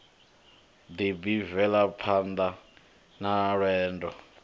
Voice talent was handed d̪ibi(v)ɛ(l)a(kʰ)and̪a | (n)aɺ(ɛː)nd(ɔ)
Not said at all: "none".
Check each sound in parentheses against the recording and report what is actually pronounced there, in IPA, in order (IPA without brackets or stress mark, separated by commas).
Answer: v, l, pʰ, n, ɛː, ɔ